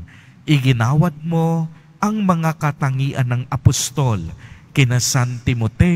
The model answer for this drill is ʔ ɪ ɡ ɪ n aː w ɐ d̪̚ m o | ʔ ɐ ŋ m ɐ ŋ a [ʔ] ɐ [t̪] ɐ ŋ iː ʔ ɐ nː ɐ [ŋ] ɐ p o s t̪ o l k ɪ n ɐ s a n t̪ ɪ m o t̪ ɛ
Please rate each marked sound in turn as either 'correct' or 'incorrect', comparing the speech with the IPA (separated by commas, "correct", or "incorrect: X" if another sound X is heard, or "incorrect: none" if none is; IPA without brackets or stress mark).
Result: incorrect: k, correct, correct